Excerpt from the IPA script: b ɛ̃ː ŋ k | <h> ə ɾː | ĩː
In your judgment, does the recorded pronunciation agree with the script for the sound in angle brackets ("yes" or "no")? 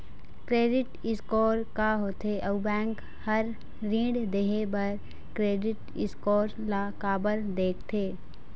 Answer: yes